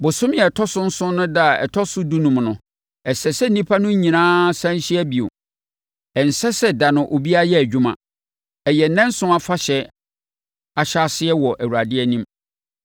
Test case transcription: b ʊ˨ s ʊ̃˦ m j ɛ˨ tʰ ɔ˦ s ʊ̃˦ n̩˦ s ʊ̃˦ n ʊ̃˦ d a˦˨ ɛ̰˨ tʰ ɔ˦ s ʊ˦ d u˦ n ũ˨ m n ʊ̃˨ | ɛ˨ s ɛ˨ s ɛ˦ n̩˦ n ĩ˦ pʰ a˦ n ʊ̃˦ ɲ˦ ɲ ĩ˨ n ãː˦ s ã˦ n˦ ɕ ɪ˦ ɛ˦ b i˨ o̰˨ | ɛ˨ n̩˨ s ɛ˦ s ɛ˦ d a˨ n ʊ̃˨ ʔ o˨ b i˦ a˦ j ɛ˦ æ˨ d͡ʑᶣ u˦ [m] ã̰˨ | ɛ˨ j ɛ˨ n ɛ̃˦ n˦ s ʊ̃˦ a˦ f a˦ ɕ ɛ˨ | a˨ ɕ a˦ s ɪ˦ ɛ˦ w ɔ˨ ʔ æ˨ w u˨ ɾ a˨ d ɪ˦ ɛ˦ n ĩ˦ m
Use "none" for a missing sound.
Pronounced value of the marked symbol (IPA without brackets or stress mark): m